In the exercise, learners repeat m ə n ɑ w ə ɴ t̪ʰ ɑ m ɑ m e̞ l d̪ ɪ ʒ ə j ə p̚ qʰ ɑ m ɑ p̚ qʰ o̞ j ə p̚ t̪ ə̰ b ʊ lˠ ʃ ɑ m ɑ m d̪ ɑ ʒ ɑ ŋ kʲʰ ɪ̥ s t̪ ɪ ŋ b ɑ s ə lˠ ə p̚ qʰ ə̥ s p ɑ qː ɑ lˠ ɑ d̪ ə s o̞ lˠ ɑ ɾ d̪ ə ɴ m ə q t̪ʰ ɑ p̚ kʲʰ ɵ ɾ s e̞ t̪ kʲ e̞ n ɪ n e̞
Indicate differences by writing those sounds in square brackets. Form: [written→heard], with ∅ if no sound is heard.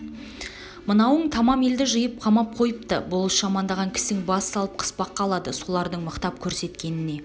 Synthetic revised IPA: m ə n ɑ w ə ɴ t̪ʰ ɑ m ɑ m e̞ l d̪ ɪ ʒ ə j ə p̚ qʰ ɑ m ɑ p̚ qʰ o̞ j ə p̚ t̪ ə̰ b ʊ lˠ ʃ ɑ m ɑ [m→n] d̪ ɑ [ʒ→ʁ] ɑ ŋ kʲʰ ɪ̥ s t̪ ɪ ŋ b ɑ s [ə→ɑ] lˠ ə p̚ qʰ ə̥ s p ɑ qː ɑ lˠ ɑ d̪ ə s o̞ lˠ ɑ ɾ d̪ ə ɴ m ə q [t̪ʰ→t̪] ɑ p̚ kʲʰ ɵ ɾ s e̞ t̪ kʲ e̞ n ɪ n e̞